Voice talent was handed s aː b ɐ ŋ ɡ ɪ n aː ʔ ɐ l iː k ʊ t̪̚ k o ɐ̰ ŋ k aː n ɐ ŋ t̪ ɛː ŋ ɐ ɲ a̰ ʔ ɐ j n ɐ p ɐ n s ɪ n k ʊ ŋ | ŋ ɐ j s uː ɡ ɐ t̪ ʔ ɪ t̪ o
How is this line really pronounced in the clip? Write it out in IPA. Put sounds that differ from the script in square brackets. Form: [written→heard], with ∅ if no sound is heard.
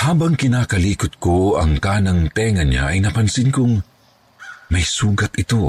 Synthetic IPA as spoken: [s→h] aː b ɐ ŋ [ɡ→k] ɪ n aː [ʔ→k] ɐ l iː k ʊ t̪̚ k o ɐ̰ ŋ k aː n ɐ ŋ t̪ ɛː ŋ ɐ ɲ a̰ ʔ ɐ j n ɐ p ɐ n s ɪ n k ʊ ŋ | [ŋ→m] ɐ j s uː ɡ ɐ t̪ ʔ ɪ t̪ o